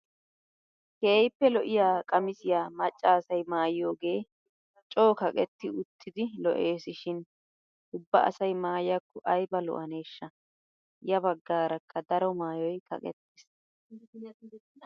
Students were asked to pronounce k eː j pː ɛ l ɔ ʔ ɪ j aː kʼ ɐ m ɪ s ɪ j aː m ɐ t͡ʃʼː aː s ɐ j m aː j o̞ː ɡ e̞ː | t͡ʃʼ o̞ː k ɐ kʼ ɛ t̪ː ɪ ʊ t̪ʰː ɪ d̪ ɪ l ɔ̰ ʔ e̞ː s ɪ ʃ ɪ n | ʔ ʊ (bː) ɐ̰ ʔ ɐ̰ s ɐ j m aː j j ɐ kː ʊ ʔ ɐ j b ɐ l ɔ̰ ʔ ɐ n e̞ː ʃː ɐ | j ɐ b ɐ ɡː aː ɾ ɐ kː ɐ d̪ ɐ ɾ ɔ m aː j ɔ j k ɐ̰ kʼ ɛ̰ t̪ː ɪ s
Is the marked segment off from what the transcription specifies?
no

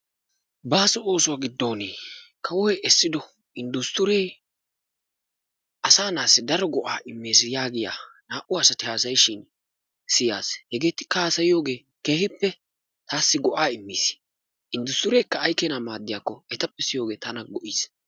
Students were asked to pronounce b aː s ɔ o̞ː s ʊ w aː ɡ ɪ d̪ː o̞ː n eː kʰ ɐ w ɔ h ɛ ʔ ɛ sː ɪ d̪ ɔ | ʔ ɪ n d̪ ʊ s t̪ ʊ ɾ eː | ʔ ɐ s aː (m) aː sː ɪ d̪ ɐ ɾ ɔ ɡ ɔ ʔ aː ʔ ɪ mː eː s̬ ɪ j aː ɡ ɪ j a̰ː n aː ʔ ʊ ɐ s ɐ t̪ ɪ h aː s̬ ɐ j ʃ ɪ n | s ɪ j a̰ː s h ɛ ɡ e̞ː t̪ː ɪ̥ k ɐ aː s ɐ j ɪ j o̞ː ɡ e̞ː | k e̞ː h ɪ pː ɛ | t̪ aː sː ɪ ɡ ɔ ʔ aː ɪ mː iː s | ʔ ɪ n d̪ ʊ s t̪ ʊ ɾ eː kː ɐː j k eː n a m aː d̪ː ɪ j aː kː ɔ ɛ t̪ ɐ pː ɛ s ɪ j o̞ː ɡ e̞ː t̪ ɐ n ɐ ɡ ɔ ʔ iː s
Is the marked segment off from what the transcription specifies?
yes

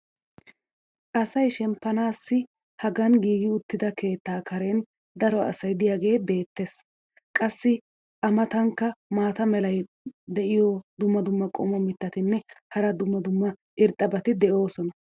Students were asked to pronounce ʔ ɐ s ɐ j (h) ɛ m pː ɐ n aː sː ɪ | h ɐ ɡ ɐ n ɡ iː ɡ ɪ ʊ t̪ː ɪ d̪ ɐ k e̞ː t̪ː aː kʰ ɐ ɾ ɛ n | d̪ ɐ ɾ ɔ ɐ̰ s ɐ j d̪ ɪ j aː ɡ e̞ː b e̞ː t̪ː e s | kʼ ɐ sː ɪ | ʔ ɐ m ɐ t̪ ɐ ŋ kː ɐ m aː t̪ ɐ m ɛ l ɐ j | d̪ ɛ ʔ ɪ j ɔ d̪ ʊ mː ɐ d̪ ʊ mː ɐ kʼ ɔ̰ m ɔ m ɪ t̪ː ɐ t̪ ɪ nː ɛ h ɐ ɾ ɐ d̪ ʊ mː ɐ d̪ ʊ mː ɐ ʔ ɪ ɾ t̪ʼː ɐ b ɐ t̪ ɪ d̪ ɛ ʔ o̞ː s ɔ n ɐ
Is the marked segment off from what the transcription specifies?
yes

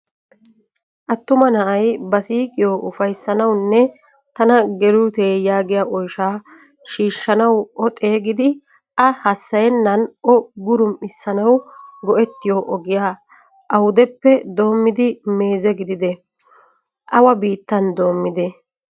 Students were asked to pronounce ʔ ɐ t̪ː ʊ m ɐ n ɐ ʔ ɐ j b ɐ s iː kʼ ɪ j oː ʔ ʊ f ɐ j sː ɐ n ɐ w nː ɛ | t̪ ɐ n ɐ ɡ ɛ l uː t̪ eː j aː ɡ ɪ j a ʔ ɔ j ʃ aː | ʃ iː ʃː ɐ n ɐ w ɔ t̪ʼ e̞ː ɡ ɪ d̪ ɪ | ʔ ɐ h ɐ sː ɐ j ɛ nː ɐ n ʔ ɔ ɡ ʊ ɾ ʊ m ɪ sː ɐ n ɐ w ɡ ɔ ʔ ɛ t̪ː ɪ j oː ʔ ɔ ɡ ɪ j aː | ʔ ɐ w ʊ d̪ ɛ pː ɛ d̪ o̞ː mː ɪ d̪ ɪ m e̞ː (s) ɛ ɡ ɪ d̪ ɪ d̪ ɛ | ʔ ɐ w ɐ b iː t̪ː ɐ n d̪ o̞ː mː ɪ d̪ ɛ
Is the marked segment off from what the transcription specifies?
yes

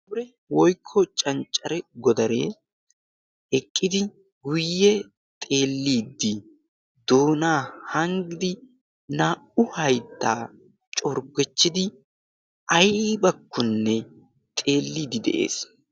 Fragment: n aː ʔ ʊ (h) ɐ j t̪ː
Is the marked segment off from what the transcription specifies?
no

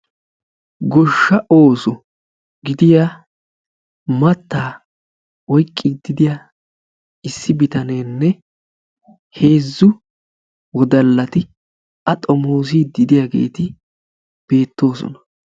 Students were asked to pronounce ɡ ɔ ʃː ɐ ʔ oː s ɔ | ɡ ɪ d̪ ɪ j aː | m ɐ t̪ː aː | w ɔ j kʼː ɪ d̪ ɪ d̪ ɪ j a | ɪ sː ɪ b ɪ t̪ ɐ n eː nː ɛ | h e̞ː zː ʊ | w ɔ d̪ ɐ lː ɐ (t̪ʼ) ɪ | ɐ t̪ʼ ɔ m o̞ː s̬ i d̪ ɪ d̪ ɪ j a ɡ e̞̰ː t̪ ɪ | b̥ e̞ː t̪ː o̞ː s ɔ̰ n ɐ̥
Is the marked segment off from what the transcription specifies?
yes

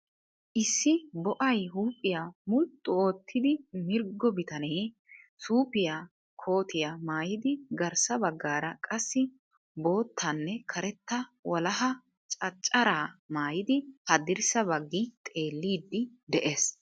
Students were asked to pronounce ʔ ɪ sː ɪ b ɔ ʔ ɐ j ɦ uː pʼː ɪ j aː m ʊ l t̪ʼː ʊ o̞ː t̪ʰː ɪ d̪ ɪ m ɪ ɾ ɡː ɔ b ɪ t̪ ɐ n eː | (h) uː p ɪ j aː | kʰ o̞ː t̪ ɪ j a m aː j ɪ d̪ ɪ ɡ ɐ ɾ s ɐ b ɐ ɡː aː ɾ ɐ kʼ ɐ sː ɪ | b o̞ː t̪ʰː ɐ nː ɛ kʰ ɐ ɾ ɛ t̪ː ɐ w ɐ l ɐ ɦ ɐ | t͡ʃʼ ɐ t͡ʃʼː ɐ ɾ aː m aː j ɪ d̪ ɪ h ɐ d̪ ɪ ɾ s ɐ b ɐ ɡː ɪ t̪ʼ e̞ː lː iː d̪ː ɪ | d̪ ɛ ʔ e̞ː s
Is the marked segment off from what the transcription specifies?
yes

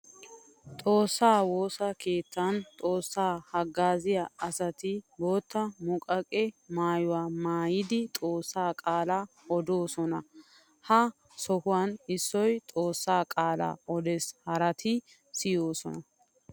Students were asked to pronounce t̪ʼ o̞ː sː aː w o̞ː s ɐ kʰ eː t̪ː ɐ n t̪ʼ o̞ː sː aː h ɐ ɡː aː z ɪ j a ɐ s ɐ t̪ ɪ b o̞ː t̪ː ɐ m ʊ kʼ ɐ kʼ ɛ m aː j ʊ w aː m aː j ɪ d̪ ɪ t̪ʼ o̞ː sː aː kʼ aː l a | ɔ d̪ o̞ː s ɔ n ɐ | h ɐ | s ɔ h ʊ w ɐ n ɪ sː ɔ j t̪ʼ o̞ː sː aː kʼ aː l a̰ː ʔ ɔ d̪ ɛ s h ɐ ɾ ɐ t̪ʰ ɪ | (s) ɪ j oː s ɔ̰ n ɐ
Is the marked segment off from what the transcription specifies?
no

